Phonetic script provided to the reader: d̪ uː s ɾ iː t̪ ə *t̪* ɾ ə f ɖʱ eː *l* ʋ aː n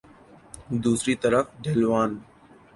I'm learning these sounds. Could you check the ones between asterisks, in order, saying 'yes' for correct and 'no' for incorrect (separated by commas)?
no, yes